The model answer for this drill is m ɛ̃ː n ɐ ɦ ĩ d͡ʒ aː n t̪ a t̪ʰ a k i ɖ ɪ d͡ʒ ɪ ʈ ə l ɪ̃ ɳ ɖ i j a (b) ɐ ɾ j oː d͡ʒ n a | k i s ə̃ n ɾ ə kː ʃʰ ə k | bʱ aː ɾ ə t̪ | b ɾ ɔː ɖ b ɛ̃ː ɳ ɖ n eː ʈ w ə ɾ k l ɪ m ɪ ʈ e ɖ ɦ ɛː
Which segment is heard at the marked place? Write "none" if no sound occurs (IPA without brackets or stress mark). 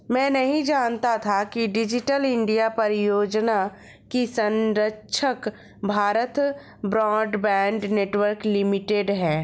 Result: p